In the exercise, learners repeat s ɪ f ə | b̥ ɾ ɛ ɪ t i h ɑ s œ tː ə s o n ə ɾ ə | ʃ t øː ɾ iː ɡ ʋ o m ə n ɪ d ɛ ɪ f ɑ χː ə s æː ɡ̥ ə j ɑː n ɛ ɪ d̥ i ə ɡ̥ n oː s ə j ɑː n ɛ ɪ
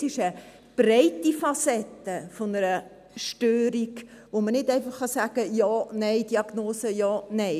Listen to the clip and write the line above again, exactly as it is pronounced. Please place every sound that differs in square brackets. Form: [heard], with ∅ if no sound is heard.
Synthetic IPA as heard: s ɪ [ʃ] ə | b̥ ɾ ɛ ɪ t i [f] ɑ s [ɛ] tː ə [f] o n ə ɾ ə | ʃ t øː ɾ [i] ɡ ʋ o m ə n ɪ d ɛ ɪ f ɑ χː [ɑ] s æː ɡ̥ ə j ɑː n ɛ ɪ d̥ i [ɑ] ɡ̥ n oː s ə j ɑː n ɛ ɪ